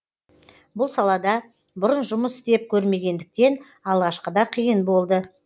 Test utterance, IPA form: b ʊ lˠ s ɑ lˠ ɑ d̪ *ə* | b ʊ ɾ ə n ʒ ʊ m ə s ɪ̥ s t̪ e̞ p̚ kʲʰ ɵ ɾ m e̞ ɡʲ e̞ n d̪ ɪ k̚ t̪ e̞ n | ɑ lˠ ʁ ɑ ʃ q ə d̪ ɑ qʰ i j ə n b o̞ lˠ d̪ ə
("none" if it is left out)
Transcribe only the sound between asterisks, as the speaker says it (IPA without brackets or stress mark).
ɑ